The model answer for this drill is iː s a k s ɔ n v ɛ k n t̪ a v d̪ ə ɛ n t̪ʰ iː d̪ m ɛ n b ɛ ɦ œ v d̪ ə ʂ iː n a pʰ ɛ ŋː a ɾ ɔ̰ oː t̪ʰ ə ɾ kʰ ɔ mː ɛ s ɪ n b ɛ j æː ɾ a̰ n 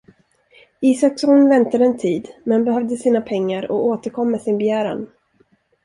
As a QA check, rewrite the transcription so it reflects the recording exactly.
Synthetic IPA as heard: iː s a k s ɔ n v ɛ n t̪ a d̪ ə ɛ n t̪ʰ iː d̪ m ɛ n b ɛ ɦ œ v d̪ ə s iː n a pʰ ɛ ŋː a ɾ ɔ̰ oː t̪ ə ɾ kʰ ɔ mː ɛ s ɪ n b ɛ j æː ɾ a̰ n